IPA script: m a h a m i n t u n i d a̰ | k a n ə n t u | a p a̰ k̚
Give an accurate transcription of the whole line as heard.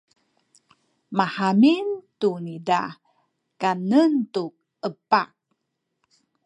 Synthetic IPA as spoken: m a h a m i n t u n i d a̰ | k a n ə n t u | ə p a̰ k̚